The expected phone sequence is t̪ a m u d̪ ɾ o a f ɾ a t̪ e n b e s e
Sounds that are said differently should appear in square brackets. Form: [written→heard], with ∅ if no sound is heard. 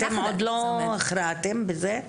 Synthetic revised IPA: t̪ [a→e] m [u→o] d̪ [ɾ→l] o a [f→χ] ɾ a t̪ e [n→m] b e [s→z] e

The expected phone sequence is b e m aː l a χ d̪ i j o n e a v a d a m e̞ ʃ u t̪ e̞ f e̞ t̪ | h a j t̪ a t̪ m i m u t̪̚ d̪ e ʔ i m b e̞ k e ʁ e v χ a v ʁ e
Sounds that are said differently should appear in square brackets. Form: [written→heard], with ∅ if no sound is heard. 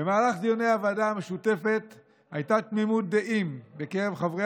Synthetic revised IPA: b e m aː l a χ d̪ i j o n e a v a d a m e̞ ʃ u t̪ e̞ f e̞ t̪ | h a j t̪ a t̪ m i m u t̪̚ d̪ e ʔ i m b e̞ k e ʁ e v χ a v ʁ e

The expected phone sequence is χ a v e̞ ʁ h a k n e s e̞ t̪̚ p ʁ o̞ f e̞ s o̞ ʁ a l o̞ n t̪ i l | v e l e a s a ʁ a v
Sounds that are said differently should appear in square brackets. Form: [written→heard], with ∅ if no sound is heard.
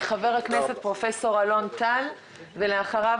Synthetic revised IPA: χ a v e̞ ʁ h a k n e s e̞ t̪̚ p ʁ o̞ f e̞ s o̞ ʁ a l o̞ n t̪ [i→a] l | v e l e a [s→χ] a ʁ a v

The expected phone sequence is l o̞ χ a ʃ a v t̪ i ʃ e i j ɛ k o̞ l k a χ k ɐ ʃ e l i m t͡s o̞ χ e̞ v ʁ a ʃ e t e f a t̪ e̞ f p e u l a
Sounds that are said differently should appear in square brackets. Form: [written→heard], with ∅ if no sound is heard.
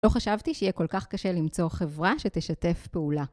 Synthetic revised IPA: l o̞ χ a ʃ a v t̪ i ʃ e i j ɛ k o̞ l k a χ k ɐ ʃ e l i m t͡s o̞ χ e̞ v ʁ a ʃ e t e [f→ʃ] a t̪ e̞ f p e u l a

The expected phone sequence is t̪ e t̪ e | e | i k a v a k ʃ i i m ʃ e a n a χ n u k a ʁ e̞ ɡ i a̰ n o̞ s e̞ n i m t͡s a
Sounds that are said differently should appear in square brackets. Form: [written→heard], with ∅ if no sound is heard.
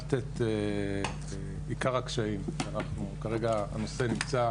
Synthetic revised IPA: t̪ e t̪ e | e | i k a [v→ʁ] a k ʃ [i→a] i m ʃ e a n a χ n u k a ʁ e̞ ɡ [i→a] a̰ n o̞ s e̞ n i m t͡s a

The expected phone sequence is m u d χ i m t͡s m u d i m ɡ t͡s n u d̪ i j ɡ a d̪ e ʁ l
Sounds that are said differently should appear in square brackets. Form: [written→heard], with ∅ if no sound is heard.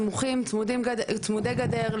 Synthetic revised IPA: m u [d→∅] χ i m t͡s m u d i m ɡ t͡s [n→m] u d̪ [i→e] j ɡ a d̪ e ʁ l

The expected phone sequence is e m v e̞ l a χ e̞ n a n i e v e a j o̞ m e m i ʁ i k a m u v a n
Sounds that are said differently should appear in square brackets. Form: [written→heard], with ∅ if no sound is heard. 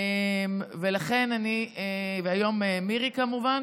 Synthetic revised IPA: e m v e̞ l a χ e̞ n a n i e v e a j o̞ m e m i ʁ i k a m u v a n

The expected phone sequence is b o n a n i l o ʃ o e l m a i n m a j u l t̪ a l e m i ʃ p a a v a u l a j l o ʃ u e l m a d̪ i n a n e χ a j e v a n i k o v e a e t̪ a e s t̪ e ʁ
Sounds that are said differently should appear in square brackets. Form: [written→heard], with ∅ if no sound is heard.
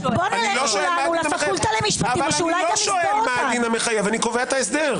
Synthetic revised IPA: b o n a n i l o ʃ o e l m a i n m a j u l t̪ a l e m i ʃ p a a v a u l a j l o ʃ [u→o] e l m a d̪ i n a [n→m] e χ a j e v a n i k o v e a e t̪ a e s [t̪→d̪] e ʁ

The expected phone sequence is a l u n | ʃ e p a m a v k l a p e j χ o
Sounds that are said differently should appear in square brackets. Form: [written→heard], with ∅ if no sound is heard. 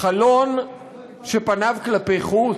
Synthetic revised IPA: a l [u→o] n | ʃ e p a [m→n] a v k l a p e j χ [o→u]

